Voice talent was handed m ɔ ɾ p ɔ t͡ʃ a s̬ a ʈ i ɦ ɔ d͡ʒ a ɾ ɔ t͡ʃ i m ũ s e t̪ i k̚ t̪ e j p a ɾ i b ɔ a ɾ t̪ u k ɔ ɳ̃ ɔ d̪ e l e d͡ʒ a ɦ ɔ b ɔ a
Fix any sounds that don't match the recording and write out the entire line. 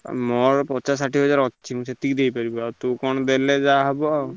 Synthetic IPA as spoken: m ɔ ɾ p ɔ t͡ʃ a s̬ a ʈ i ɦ ɔ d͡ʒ a ɾ ɔ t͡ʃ i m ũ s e t̪ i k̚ d̪ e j p a ɾ i b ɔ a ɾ t̪ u k ɔ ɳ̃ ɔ d̪ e l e d͡ʒ a ɦ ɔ b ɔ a